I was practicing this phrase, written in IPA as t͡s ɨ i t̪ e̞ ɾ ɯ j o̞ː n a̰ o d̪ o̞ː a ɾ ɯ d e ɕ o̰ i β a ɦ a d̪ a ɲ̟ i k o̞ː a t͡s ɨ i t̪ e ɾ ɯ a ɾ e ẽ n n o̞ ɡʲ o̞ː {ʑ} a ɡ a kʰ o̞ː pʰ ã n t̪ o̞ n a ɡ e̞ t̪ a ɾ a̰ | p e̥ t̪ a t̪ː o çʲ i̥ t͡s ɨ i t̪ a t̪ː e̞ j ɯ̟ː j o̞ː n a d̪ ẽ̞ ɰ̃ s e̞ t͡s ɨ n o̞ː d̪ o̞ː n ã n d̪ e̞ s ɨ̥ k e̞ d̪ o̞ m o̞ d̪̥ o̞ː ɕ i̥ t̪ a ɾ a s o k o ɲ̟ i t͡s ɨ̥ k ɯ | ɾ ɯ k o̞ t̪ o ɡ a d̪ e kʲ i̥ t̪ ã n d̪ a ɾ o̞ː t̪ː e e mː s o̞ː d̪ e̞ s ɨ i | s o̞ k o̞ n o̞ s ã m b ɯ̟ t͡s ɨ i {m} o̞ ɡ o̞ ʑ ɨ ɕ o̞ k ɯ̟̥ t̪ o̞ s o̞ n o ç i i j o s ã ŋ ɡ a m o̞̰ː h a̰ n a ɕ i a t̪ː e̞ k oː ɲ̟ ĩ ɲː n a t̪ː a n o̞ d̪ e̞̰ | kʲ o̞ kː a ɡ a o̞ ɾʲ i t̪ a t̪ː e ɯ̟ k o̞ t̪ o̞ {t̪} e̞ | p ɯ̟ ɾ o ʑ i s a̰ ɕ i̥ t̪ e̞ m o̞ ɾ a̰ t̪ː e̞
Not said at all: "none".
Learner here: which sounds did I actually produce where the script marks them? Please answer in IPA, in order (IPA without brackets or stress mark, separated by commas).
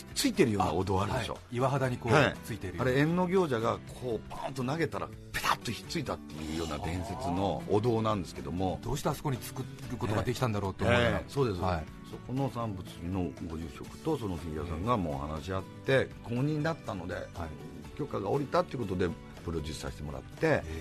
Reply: ʑ, n, d̪